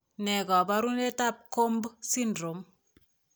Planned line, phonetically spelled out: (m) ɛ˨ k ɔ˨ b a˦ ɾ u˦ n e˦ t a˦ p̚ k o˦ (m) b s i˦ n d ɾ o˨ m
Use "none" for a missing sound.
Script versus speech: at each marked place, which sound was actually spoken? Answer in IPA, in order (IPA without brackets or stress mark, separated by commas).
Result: n, m